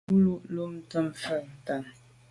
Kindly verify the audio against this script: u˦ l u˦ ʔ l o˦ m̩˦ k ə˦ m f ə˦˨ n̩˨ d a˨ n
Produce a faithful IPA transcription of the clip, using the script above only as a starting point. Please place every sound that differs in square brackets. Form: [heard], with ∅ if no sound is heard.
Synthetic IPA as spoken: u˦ l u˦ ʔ l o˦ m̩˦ [t] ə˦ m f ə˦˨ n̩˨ [t] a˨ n